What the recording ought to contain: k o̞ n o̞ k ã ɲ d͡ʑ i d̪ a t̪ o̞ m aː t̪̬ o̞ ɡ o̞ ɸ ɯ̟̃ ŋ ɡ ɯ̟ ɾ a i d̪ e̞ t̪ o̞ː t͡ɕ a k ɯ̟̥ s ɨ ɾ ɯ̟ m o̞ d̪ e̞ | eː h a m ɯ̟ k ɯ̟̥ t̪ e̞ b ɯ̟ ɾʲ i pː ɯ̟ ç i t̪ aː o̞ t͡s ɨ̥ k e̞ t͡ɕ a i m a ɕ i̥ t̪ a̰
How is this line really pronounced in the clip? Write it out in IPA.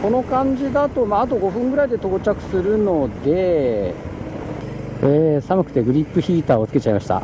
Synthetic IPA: k o̞ n o̞ k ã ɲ d͡ʑ i d̪ a t̪ o̞ m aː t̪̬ o̞ ɡ o̞ ɸ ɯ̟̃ ŋ ɡ ɯ̟ ɾ a i d̪ e̞ t̪ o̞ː t͡ɕ a k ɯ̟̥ s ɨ ɾ ɯ̟ n o̞ d̪ e̞ | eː s a m ɯ̟ k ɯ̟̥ t̪ e̞ ɡ ɯ̟ ɾʲ i pː ɯ̟ ç iː t̪ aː o̞ t͡s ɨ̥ k e̞ t͡ɕ a i m a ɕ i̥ t̪ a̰